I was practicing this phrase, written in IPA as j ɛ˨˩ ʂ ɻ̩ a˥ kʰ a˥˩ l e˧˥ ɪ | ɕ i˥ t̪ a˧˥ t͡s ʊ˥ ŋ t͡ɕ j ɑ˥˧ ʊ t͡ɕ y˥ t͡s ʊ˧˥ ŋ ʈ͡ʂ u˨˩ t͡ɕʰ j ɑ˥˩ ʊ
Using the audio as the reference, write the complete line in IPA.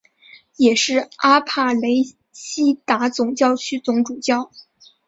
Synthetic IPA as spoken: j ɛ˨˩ ʂ ɻ̩ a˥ pʰ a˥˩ l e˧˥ ɪ | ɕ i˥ t̪ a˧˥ t͡s ʊ˨˩ ŋ t͡ɕ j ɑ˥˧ ʊ t͡ɕʰ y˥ t͡s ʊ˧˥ ŋ ʈ͡ʂ u˨˩ t͡ɕ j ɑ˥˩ ʊ